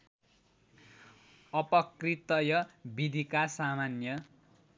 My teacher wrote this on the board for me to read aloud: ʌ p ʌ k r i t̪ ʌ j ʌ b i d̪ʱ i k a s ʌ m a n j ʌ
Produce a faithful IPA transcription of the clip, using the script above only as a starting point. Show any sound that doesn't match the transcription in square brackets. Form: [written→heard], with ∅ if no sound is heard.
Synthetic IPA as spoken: ʌ p ʌ k r i t̪ ʌ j ʌ b i d̪ʱ i k a s [ʌ→a] m a n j ʌ